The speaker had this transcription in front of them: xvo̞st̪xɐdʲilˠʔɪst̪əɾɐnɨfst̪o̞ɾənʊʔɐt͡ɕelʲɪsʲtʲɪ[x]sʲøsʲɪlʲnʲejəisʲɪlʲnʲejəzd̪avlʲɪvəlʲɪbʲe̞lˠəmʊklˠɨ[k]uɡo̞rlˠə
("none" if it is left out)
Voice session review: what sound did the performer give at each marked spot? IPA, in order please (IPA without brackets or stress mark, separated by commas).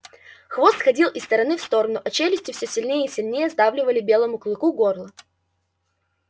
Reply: f, k